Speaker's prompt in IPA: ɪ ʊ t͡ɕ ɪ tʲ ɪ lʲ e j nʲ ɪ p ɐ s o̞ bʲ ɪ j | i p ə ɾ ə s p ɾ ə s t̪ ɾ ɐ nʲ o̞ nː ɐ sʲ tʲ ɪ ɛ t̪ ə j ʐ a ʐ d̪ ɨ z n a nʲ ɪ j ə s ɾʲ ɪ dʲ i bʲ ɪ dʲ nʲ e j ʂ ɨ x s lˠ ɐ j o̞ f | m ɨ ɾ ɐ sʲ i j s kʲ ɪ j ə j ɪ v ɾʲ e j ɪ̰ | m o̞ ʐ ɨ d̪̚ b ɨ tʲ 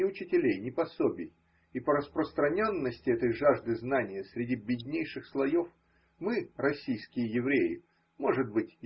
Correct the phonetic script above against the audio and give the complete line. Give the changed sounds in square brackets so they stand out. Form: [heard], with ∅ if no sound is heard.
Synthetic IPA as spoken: ɪ ʊ t͡ɕ ɪ tʲ ɪ lʲ e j nʲ ɪ p ɐ s o̞ bʲ ɪ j | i p ə ɾ ə s p ɾ ə s t̪ ɾ ɐ nʲ o̞ nː [ə] sʲ tʲ ɪ ɛ t̪ ə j ʐ a ʐ d̪ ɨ z n a nʲ ɪ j ə s ɾʲ ɪ dʲ i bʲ ɪ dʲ nʲ e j ʂ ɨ x s lˠ ɐ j o̞ f | m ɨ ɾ ɐ sʲ i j s kʲ ɪ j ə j ɪ v ɾʲ e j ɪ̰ | m o̞ ʐ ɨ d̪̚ b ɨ tʲ

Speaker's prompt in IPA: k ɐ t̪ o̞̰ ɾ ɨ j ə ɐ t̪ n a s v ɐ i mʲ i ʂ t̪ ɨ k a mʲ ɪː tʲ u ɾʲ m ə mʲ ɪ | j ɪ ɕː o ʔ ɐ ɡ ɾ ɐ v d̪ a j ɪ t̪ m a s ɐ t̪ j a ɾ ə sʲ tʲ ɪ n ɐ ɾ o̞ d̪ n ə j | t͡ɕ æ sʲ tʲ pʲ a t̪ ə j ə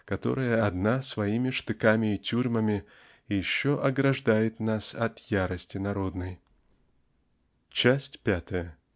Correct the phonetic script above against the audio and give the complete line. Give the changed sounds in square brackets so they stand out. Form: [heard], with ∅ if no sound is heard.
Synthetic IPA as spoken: k ɐ t̪ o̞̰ ɾ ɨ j ə ɐ [d̪] n a s v ɐ i mʲ [ɪ] ʂ t̪ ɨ k a mʲ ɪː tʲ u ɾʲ m ə mʲ ɪ | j ɪ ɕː o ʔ ɐ ɡ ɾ ɐ [ʐ] d̪ a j ɪ t̪ [n] a s ɐ t̪ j a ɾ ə sʲ tʲ ɪ n ɐ ɾ o̞ d̪ n ə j | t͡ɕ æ sʲ tʲ pʲ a t̪ ə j ə

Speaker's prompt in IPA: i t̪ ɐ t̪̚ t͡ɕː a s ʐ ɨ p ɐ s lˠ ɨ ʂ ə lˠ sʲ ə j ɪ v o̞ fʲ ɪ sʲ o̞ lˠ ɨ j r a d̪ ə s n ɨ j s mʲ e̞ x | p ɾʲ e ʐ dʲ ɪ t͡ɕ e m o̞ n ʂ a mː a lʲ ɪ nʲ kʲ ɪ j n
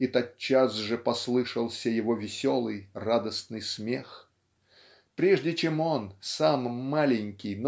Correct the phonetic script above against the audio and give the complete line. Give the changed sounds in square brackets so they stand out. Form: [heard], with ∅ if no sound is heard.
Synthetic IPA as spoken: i t̪ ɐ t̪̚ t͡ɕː a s ʐ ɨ p ɐ s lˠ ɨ ʂ ə lˠ sʲ ə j ɪ v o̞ [vʲ] ɪ sʲ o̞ lˠ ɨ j r a d̪ ə s n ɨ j s mʲ e̞ x | p ɾʲ e ʐ dʲ ɪ t͡ɕ e m o̞ n [s] a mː a lʲ ɪ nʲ kʲ ɪ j n

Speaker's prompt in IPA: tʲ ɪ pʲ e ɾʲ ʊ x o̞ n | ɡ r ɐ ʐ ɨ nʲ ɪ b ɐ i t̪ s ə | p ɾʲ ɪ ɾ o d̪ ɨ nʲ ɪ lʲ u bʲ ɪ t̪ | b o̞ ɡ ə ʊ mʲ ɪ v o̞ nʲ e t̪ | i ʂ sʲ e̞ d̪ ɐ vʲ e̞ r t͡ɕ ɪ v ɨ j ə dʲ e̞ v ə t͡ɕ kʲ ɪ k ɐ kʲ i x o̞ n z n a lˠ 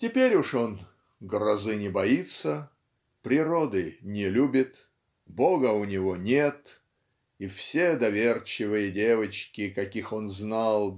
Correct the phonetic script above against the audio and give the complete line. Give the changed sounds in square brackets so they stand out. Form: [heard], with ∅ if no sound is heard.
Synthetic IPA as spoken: tʲ ɪ pʲ e ɾʲ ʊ [ʂ] o̞ n | ɡ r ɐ [z] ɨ nʲ ɪ b ɐ i t̪ s ə | p ɾʲ ɪ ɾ o d̪ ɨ nʲ ɪ lʲ u bʲ ɪ t̪ | b o̞ ɡ ə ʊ [nʲ] ɪ v o̞ nʲ e t̪ | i [f] sʲ e̞ d̪ ɐ vʲ e̞ r t͡ɕ ɪ v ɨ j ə dʲ e̞ v ə t͡ɕ kʲ ɪ k ɐ kʲ i x o̞ n z n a lˠ

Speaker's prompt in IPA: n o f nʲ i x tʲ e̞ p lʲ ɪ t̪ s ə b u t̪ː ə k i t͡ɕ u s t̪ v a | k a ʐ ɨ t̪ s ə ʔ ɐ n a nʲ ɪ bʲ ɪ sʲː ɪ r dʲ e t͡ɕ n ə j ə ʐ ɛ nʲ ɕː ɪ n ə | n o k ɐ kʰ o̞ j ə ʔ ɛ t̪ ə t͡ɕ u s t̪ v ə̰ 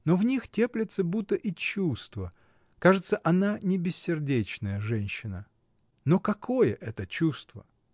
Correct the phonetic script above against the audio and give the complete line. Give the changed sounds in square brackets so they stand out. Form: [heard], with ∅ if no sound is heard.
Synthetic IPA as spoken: n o [v] nʲ i x tʲ e̞ p lʲ ɪ t̪ s ə b u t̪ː ə [ʔ] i t͡ɕ u s t̪ v [ə] | k a ʐ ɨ t̪ s ə ʔ ɐ n a nʲ ɪ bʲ ɪ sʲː ɪ r dʲ e t͡ɕ n ə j ə ʐ ɛ nʲ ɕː ɪ n ə | n o k ɐ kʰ o̞ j ə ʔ ɛ t̪ ə t͡ɕ u s t̪ v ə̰

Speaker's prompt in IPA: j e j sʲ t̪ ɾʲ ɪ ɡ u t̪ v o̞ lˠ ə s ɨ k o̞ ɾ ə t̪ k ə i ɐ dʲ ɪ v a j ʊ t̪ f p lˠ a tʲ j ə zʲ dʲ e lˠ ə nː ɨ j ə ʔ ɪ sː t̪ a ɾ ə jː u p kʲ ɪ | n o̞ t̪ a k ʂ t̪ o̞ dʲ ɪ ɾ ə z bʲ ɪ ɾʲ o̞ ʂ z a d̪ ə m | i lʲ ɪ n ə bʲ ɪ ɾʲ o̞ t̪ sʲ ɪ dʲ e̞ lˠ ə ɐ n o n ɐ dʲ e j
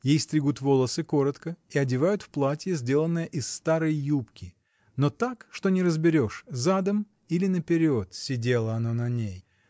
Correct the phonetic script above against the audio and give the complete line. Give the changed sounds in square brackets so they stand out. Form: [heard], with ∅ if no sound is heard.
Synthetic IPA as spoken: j e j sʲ t̪ ɾʲ ɪ ɡ u t̪ v o̞ lˠ ə s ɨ k o̞ ɾ ə t̪ k ə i ɐ dʲ ɪ v a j ʊ t̪ f p lˠ a tʲ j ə zʲ dʲ e lˠ ə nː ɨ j ə ʔ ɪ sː t̪ a ɾ ə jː u p kʲ ɪ | n o̞ t̪ a k ʂ t̪ o̞ [nʲ] ɪ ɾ ə z bʲ ɪ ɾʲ o̞ ʂ z a d̪ ə m | i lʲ ɪ n ə [pʲ] ɪ ɾʲ o̞ t̪ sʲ ɪ dʲ e̞ lˠ ə ɐ n o n ɐ [nʲ] e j

